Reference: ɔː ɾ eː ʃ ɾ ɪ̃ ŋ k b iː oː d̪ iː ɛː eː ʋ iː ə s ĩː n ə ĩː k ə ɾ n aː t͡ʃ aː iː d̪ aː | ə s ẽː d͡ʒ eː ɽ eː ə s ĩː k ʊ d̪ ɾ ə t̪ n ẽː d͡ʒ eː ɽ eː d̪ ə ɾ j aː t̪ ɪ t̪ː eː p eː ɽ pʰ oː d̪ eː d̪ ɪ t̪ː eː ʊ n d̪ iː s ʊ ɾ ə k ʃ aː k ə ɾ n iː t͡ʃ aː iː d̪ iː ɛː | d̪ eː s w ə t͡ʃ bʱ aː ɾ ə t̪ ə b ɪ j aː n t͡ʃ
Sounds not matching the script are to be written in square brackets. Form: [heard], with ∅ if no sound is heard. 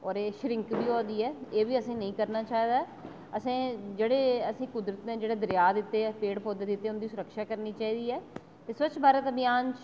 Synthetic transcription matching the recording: ɔː ɾ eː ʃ ɾ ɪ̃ ŋ k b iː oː d̪ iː ɛː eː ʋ iː ə s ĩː n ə ĩː k ə ɾ n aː t͡ʃ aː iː d̪ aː | ə s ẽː d͡ʒ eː ɽ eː ə s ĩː k ʊ d̪ ɾ ə t̪ n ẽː d͡ʒ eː ɽ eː d̪ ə ɾ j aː [d̪] ɪ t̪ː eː p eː ɽ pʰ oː d̪ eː d̪ ɪ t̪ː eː ʊ n d̪ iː s ʊ ɾ ə k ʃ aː k ə ɾ n iː t͡ʃ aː iː d̪ iː ɛː | [t̪] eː s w ə t͡ʃ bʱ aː ɾ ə t̪ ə b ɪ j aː n t͡ʃ